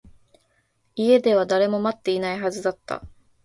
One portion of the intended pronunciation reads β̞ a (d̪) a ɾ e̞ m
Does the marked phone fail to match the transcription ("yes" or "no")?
no